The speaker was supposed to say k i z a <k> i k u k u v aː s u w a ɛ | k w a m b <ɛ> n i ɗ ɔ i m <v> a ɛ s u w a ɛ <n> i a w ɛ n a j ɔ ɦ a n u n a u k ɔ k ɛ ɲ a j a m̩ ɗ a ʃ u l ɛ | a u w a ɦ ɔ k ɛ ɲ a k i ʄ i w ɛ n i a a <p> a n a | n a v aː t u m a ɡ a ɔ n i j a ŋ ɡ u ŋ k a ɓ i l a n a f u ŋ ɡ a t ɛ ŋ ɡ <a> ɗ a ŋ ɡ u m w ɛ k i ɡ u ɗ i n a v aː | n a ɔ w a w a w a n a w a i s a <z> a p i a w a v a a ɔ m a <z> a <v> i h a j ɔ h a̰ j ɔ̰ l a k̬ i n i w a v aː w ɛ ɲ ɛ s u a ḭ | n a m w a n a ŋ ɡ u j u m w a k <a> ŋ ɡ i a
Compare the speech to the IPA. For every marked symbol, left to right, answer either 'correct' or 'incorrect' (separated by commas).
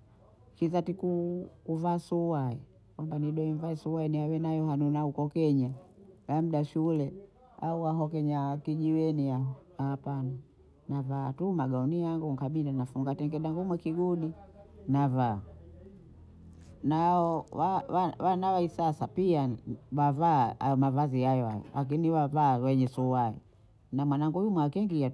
incorrect, incorrect, correct, correct, correct, incorrect, incorrect, incorrect, incorrect, incorrect